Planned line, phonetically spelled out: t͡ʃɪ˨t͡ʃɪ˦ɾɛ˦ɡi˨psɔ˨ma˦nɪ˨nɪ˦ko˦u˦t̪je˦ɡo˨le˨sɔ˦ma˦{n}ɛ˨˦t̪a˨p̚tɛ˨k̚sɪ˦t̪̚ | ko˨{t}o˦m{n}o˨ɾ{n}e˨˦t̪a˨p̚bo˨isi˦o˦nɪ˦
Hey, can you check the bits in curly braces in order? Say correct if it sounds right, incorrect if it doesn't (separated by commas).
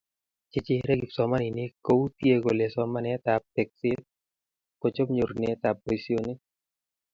correct, incorrect, incorrect, correct